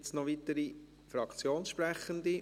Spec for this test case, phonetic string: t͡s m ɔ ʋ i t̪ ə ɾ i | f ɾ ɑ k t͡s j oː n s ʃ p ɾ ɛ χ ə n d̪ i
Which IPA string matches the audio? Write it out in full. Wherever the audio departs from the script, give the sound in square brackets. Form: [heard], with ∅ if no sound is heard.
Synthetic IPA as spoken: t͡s [n] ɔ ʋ i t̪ ə ɾ i | f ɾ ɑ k t͡s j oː n s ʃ p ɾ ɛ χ ə n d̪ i